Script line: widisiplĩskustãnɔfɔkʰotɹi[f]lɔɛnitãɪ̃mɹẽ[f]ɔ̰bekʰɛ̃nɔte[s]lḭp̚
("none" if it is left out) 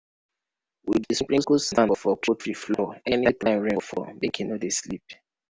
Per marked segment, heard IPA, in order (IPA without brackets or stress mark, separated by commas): f, f, s